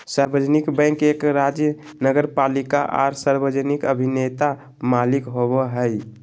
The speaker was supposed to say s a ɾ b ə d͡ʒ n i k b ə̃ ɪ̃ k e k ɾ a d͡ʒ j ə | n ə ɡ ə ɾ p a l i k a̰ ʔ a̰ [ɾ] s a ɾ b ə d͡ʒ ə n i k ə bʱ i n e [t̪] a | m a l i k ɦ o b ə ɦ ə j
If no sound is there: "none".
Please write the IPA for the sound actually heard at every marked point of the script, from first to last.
ɾ, t̪

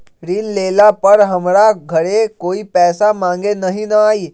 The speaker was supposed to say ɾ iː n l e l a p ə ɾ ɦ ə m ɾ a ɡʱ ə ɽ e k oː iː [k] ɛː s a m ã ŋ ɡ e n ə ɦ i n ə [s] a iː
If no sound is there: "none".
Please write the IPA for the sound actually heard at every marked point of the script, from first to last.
p, none

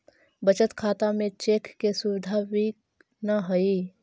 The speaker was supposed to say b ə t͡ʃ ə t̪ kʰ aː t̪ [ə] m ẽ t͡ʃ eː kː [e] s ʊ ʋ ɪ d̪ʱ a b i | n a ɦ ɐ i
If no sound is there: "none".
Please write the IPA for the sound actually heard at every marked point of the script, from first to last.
a, e

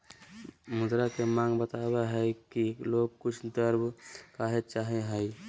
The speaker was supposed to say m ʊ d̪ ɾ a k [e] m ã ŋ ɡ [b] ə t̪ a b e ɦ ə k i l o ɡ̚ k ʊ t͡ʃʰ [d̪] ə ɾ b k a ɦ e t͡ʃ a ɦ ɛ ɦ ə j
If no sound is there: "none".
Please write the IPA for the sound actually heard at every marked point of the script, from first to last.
e, b, d̪

